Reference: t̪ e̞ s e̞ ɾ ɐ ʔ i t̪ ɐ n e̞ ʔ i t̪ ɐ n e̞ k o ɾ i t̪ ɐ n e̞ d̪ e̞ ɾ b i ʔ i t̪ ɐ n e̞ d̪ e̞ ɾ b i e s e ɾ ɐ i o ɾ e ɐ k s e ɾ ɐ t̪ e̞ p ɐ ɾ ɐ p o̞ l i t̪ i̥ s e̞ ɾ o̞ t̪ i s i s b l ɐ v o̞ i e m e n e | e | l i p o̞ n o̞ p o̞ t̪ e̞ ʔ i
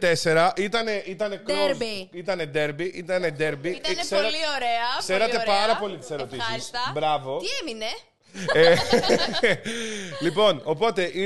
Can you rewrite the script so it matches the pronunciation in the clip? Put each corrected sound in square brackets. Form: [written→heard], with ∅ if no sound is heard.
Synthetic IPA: t̪ e̞ s e̞ ɾ ɐ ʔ i t̪ ɐ n e̞ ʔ i t̪ ɐ n e̞ k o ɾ i t̪ ɐ n e̞ d̪ e̞ ɾ b i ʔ i t̪ ɐ n e̞ d̪ e̞ ɾ b i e s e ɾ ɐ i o ɾ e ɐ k s e ɾ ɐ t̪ e̞ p ɐ ɾ ɐ p o̞ l i t̪ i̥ s e̞ ɾ o̞ t̪ i s i s b [l→ɾ] ɐ v o̞ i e m [e→i] n e | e | l i p o̞ n o̞ p o̞ t̪ e̞ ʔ i